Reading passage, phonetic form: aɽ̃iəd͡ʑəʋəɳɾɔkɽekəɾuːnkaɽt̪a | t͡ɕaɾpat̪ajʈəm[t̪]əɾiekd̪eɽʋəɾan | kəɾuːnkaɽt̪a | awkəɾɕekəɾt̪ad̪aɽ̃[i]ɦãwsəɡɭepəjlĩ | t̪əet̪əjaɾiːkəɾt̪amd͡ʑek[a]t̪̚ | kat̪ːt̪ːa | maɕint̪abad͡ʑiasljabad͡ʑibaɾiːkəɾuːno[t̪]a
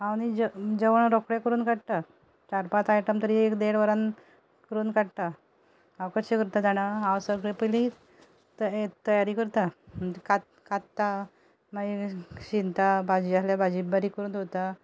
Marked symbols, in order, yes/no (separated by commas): yes, no, yes, yes